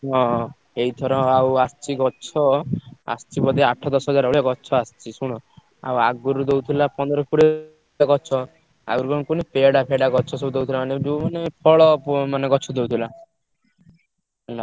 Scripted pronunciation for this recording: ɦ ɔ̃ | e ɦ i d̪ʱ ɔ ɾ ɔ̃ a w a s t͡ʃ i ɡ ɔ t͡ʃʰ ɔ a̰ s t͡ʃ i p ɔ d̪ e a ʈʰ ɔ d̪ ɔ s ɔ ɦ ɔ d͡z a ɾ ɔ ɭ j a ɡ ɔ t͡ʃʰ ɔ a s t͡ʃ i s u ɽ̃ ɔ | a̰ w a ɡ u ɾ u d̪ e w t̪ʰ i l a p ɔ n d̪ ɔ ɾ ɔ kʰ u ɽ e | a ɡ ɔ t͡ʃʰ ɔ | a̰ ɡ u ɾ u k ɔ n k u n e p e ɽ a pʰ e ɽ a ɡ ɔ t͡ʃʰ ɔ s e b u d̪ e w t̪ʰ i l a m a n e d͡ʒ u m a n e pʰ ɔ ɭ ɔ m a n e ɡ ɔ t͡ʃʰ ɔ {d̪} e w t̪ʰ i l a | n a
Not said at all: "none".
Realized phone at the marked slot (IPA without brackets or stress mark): d̪